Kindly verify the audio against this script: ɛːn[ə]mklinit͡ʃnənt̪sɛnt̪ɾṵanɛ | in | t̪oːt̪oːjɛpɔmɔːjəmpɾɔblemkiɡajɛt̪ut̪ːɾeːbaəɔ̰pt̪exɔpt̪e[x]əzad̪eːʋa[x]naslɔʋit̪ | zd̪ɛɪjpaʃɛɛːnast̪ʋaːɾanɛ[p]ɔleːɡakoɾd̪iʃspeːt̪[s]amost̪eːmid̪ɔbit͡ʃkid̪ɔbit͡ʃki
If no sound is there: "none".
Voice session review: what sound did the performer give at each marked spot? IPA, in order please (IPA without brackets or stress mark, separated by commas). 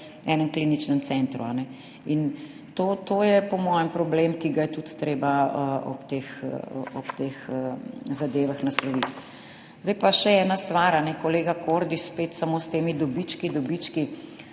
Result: ə, x, x, k, s